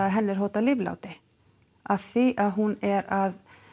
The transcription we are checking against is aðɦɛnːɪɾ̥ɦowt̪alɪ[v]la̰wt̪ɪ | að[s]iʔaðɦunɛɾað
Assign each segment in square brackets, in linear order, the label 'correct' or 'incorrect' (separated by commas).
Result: correct, incorrect